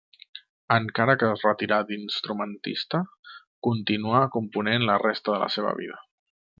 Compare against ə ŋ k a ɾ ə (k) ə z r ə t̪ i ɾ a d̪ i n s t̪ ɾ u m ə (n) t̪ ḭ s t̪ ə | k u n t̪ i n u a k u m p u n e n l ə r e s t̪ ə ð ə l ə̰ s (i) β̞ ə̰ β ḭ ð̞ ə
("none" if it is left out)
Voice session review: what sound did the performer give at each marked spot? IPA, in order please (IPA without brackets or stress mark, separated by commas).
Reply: k, n, e